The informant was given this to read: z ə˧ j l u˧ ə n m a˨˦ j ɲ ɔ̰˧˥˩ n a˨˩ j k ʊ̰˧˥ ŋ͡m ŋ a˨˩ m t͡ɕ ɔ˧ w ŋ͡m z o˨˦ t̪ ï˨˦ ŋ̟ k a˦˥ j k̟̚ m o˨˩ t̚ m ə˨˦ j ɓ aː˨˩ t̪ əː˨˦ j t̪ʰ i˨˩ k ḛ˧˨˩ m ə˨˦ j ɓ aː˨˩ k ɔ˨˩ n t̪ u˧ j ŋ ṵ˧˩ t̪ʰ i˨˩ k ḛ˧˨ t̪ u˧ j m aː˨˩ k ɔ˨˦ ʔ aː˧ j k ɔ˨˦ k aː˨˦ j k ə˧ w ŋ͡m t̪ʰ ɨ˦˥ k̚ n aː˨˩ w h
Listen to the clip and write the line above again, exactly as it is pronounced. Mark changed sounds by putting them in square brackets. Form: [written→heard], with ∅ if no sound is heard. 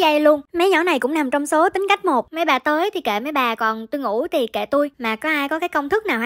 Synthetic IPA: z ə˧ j l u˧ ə n m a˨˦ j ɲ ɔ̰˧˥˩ n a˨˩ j k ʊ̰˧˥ ŋ͡m [ŋ→n] a˨˩ m t͡ɕ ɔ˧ w ŋ͡m [z→s] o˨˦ t̪ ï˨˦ ŋ̟ k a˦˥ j k̟̚ m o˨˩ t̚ m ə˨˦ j ɓ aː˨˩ t̪ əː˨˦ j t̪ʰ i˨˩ k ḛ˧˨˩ m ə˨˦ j ɓ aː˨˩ k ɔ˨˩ n t̪ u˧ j ŋ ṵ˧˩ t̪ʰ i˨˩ k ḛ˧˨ t̪ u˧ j m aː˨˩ k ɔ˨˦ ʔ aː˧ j k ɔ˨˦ k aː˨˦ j k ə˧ w ŋ͡m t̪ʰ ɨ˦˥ k̚ n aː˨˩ w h